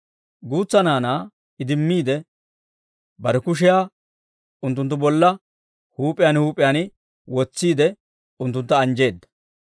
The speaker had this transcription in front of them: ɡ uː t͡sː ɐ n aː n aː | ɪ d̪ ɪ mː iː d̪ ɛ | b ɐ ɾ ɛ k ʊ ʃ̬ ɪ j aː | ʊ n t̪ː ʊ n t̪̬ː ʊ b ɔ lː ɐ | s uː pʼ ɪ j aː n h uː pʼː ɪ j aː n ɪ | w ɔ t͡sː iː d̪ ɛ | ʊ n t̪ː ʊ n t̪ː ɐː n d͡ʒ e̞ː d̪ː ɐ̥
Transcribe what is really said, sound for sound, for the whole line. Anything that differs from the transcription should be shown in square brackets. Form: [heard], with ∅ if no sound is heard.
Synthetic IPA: ɡ uː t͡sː ɐ n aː n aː | ɪ d̪ ɪ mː iː d̪ ɛ | b ɐ ɾ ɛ k ʊ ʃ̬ ɪ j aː | ʊ n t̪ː ʊ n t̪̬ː ʊ b ɔ lː ɐ | [h] uː pʼ ɪ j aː n h uː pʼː ɪ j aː n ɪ | w ɔ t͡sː iː d̪ ɛ | ʊ n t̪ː ʊ n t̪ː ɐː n d͡ʒ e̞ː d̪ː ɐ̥